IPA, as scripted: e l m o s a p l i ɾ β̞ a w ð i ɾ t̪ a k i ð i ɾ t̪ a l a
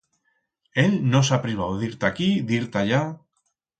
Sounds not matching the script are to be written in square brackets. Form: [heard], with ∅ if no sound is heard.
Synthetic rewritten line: e l [n] o s a p [ɾ] i [∅] β̞ a w ð i ɾ t̪ a k i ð i ɾ t̪ a [ʎ] a

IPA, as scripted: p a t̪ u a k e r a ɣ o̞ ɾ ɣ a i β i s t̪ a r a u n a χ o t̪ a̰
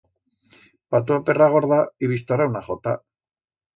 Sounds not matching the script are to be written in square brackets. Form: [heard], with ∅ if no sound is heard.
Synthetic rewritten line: p a t̪ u a [p] e r a ɣ o̞ ɾ [ð] a i β i s t̪ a r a [w] n a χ o t̪ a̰

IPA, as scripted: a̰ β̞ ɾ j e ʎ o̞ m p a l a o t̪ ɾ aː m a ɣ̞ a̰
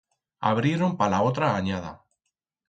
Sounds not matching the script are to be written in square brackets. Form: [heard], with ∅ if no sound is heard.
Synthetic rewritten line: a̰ β̞ ɾ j e [ɾ] o̞ m p a l a o t̪ ɾ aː [ɲ] a [ð̞] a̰

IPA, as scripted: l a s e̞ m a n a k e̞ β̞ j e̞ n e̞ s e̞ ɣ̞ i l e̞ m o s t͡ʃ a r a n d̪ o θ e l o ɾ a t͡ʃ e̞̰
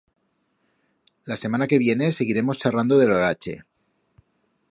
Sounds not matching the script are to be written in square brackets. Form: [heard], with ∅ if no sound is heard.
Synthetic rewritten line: l a s e̞ m a n a k e̞ β̞ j e̞ n e̞ s e̞ ɣ̞ i [ɾ] e̞ m o s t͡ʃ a r a n d̪ o [ð] e l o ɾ a t͡ʃ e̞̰

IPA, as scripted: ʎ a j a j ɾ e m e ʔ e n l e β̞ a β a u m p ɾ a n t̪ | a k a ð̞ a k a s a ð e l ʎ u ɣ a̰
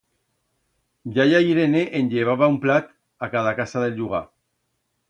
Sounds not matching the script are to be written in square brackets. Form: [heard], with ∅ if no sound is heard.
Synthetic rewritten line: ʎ a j a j ɾ e [n] e ʔ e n [ʎ] e β̞ a β a u m p [l] a [∅] t̪ | a k a ð̞ a k a s a ð e l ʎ u ɣ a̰

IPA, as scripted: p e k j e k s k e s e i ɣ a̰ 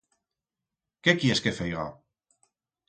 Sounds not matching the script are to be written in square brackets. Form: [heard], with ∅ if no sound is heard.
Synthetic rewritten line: [k] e k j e [∅] s k e [f] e [j] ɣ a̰

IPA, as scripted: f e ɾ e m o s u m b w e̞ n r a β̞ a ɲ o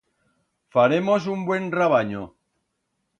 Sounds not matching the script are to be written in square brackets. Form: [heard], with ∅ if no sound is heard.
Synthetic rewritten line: f [a] ɾ e m o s u m b w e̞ n r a β̞ a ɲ o

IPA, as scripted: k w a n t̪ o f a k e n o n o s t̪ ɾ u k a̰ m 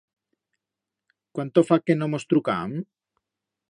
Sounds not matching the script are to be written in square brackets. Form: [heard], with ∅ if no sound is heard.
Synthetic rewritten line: k w a n t̪ o f a k e n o [m] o s t̪ ɾ u k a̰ m

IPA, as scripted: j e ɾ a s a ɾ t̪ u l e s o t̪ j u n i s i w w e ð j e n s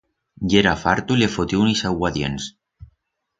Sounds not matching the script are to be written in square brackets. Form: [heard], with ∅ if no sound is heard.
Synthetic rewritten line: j e ɾ a [f] a ɾ t̪ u l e [f] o t̪ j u n i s [a] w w [a] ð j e n s

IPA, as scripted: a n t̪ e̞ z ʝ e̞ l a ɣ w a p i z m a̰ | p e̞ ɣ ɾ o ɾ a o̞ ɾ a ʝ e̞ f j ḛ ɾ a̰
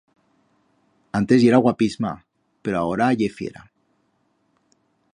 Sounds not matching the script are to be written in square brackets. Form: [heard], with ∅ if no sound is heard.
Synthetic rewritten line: a n t̪ e̞ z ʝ e̞ [ɾ] a ɣ w a p i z m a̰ | p e̞ [∅] ɾ o [∅] a o̞ ɾ a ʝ e̞ f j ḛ ɾ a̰

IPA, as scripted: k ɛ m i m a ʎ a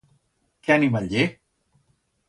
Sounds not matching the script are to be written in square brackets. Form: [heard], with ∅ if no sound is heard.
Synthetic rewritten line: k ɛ [n] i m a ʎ [e]

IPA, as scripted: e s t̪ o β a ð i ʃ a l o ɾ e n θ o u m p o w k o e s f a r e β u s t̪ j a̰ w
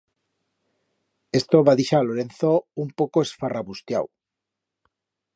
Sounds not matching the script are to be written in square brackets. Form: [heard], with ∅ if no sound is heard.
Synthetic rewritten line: e s t̪ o β a ð i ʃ a l o ɾ e n θ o u m p o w k o e s f a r [a] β u s t̪ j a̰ w

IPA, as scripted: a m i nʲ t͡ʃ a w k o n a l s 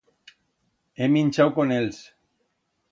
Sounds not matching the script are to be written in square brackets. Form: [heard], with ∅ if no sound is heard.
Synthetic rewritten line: [e] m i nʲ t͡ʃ a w k o n [e] l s

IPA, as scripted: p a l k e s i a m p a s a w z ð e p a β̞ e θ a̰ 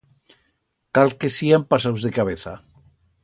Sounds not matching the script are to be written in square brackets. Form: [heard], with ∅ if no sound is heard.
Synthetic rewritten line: [k] a l k e s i a m p a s a w z ð e [k] a β̞ e θ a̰

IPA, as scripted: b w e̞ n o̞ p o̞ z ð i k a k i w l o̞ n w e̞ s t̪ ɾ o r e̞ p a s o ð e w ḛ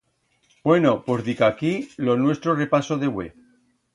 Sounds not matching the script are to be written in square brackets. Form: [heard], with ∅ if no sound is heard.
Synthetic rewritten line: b w e̞ n o̞ p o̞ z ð i k a k i [∅] l o̞ n w e̞ s t̪ ɾ o r e̞ p a s o ð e w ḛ

